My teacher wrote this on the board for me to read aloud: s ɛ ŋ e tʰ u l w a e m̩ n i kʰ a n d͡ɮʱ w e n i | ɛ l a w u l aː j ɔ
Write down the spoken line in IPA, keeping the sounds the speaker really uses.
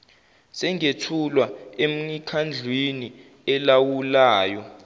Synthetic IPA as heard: s ɛ ŋ e tʰ u l w a e m̩ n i kʰ a n d͡ɮʱ w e n i | ɛ l a w u l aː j ɔ